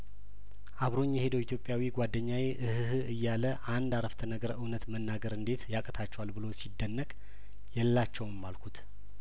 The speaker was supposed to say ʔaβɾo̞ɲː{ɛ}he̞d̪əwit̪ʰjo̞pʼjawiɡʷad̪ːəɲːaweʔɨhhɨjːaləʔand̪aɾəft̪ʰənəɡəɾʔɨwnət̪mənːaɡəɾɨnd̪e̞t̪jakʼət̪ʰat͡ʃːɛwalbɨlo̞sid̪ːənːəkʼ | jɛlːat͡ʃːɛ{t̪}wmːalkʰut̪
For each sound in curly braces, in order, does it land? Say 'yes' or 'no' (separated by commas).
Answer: yes, no